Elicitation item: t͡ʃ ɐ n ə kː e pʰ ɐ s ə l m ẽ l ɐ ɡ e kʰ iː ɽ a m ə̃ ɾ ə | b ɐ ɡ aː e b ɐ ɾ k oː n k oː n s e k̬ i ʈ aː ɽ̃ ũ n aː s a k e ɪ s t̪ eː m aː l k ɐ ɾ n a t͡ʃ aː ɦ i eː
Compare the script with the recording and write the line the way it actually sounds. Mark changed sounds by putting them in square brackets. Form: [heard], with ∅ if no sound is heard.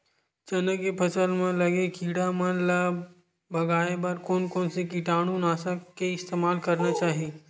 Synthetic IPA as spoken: t͡ʃ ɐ n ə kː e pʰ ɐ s ə l m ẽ l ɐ ɡ e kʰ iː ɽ a m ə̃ [l] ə | b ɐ ɡ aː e b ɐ ɾ k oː n k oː n s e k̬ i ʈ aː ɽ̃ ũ n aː s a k e ɪ s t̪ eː m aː l k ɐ ɾ n a t͡ʃ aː ɦ i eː

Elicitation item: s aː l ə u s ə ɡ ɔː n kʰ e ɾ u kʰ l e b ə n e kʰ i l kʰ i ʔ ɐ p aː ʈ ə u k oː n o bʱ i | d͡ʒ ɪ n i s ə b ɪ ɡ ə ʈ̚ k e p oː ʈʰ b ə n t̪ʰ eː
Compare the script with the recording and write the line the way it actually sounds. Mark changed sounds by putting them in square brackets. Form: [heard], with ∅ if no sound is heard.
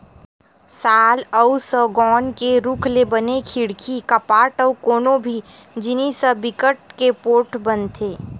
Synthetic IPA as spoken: s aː l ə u s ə ɡ ɔː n [k] e ɾ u kʰ l e b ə n e kʰ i [ɽ] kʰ i [k] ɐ p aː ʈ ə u k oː n o bʱ i | d͡ʒ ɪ n i s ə b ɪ [k] ə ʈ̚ k e p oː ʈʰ b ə n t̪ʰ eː

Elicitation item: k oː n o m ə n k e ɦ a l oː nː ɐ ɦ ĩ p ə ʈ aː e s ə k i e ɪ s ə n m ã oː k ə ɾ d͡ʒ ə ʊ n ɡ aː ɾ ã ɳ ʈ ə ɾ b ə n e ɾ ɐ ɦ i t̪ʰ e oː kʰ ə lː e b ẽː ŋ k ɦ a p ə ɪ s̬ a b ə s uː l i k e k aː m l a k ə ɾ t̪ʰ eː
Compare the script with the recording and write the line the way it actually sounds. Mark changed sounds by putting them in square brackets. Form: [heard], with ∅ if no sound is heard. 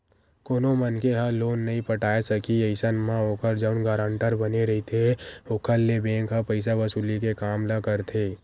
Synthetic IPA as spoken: k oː n o m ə n k e ɦ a l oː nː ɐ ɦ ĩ p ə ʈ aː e s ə k i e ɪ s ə n m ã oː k ə ɾ d͡ʒ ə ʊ n ɡ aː ɾ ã ɳ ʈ ə ɾ b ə n e ɾ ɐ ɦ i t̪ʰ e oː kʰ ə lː e b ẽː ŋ k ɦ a p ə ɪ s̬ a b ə s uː l i k e k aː m l a k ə ɾ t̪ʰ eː

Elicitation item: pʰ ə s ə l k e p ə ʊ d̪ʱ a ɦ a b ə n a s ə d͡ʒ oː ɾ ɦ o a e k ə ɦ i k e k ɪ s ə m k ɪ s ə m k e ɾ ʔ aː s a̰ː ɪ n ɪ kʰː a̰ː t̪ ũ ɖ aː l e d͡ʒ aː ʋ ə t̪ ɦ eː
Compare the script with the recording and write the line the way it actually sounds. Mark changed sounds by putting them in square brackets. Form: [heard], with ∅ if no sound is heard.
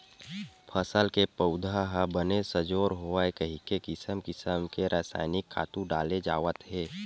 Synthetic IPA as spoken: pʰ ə s ə l k e p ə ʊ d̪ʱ a ɦ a b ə n [e] s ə d͡ʒ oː ɾ ɦ o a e k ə ɦ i k e k ɪ s ə m k ɪ s ə m k e ɾ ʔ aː s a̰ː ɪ n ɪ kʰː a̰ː t̪ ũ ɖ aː l e d͡ʒ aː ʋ ə t̪ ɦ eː

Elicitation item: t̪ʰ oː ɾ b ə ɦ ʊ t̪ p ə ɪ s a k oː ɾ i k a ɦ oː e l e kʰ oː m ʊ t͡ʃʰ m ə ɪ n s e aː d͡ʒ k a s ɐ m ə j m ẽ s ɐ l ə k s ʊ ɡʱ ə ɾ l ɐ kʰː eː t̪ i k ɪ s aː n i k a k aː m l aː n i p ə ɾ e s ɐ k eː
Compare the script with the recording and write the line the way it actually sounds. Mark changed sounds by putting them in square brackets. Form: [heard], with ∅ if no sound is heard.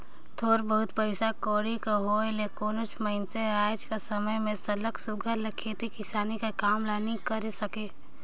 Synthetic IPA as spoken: t̪ʰ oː ɾ b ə ɦ ʊ t̪ p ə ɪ s a k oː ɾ i k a ɦ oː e l e [k] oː [n] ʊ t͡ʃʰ m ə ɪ n s e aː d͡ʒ k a s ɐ m ə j m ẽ s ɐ l ə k s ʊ ɡʱ ə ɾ l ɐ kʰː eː t̪ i k ɪ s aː n i k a k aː m l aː n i [k] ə ɾ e s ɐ k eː

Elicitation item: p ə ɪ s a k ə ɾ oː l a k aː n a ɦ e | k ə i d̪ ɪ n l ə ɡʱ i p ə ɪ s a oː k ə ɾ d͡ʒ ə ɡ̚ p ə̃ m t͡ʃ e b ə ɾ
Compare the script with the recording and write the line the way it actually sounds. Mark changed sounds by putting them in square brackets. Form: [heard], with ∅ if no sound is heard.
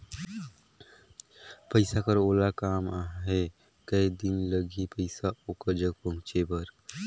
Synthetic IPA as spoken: p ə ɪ s a k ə ɾ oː l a k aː [m] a ɦ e | k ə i d̪ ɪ n l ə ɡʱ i p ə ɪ s a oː k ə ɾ d͡ʒ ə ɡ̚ p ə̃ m t͡ʃ e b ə ɾ

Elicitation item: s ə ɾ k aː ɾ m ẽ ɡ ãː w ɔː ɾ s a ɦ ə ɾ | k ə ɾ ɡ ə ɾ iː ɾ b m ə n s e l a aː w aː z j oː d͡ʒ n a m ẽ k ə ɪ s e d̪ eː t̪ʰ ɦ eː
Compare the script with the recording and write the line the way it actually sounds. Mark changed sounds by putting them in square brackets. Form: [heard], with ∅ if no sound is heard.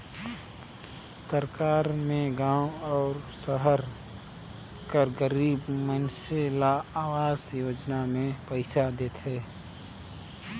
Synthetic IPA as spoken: s ə ɾ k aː ɾ m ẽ ɡ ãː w ɔː ɾ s [ə] ɦ ə ɾ | k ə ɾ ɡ ə ɾ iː [∅] b m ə n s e l a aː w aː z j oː d͡ʒ n a m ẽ [p] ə ɪ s [a] d̪ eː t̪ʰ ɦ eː

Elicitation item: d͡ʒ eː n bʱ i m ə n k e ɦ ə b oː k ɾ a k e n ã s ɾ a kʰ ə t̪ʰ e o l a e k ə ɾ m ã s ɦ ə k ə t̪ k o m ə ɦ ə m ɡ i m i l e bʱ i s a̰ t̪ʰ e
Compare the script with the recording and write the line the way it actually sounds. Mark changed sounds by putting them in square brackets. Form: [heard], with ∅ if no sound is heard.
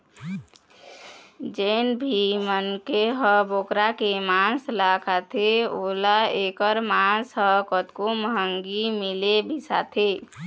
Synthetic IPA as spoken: d͡ʒ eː n bʱ i m ə n k e ɦ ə b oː k ɾ a k e [m] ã s [l] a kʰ [a] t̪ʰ e o l a e k ə ɾ m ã s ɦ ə k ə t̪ k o m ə ɦ ə [ŋ] ɡ i m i l e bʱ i s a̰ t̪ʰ e

